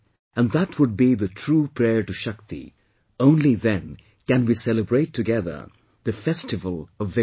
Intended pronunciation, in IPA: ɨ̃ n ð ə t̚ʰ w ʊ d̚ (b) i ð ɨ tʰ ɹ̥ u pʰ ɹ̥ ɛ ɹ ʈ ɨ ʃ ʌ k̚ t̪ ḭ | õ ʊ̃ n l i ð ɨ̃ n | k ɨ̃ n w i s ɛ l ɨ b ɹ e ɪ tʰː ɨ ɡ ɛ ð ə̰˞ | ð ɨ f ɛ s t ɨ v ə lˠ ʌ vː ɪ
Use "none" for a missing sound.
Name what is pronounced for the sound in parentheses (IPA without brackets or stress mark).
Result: b